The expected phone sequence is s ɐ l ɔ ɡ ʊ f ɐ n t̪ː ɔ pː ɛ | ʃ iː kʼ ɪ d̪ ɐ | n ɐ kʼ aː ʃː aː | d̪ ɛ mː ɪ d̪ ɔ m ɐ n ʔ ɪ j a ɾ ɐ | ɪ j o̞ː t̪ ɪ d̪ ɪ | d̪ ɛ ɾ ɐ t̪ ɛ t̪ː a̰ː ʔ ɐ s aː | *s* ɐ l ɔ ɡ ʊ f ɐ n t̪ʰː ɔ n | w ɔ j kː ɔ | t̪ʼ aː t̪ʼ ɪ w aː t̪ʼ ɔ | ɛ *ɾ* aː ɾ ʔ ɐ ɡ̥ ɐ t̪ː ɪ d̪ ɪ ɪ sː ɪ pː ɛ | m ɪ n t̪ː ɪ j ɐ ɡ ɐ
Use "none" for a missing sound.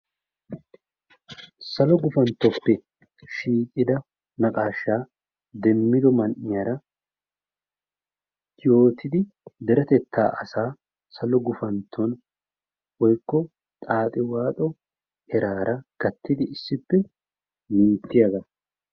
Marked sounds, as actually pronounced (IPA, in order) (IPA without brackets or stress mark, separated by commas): s, ɾ